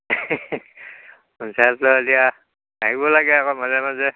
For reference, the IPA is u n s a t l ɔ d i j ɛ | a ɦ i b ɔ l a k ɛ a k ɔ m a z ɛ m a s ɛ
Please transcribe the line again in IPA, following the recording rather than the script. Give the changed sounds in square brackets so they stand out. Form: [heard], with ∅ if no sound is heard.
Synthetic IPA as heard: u n s a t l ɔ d i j [a] | a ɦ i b ɔ l a [ɡ] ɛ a k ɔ m a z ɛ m a [z] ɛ